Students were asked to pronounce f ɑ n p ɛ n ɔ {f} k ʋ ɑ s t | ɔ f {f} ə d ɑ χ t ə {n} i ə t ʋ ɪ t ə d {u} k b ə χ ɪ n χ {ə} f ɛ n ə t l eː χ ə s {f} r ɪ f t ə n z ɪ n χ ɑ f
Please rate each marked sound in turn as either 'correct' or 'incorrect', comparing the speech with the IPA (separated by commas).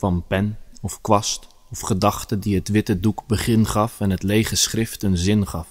correct, incorrect, incorrect, correct, incorrect, incorrect